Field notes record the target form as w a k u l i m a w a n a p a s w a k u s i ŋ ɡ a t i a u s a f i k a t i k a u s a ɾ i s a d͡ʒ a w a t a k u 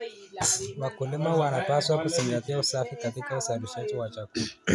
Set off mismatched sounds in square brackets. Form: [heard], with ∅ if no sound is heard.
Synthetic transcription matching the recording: w a k u l i m a w a n a p a s w a k u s i ŋ ɡ a t i a u s a f i k a t i k a u s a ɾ i [ʃ] a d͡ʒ [i] w a [t͡ʃ] a k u

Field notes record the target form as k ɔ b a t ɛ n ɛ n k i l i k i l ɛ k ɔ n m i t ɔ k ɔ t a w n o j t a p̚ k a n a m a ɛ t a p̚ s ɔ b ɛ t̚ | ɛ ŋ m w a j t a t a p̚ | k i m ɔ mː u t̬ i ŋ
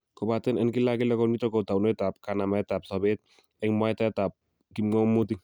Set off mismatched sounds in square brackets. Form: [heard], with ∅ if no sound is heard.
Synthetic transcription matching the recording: k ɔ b a t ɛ n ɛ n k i l [a] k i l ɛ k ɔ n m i t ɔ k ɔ t a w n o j t a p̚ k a n a m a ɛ t a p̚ s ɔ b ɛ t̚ | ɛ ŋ m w a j t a t a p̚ | k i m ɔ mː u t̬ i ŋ

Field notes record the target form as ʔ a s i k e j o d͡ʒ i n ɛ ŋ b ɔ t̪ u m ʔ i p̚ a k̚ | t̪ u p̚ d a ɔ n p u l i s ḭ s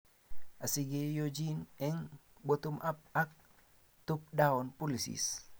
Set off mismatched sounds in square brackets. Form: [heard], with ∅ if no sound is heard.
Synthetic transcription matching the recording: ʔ a s i [ɡ] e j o d͡ʒ i n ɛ ŋ b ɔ t̪ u m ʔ [a] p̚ a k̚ | t̪ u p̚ d a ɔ n p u l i s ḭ s

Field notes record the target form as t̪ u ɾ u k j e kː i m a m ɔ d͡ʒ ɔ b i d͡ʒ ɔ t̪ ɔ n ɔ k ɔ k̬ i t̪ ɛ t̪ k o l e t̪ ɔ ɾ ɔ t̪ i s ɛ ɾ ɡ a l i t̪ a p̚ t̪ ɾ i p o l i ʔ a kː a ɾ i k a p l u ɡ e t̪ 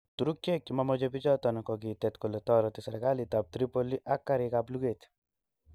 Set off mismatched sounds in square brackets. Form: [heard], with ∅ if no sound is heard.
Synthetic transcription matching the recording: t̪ u ɾ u k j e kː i m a m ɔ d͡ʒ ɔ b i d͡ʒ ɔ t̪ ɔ n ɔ k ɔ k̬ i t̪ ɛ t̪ k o l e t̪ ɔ ɾ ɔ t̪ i s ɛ ɾ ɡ a l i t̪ a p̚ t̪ ɾ i p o l i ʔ a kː a ɾ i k a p l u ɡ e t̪

